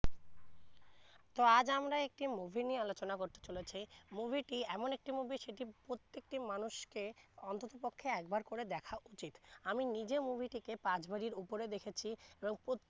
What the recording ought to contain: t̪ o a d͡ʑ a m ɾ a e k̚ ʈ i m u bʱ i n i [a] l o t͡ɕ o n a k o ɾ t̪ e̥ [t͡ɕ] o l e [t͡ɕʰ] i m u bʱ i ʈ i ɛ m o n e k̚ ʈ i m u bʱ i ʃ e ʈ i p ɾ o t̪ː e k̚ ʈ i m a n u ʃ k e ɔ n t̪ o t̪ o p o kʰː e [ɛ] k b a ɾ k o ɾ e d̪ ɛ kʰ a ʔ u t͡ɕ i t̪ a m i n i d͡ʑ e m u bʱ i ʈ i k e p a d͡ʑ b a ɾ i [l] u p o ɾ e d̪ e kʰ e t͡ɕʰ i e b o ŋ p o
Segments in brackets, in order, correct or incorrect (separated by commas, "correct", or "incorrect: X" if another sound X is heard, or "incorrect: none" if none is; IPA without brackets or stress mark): correct, correct, correct, correct, incorrect: ɾ